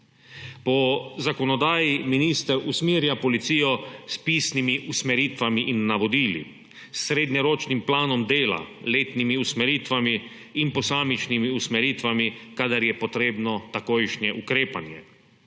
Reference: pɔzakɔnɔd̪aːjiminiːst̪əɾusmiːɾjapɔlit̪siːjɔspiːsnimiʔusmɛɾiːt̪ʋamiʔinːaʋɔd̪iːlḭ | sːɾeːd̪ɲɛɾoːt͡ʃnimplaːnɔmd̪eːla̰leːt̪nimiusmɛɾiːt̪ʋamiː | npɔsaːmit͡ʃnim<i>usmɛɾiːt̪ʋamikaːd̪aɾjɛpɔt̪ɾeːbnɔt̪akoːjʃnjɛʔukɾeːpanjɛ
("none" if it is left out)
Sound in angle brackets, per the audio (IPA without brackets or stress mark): i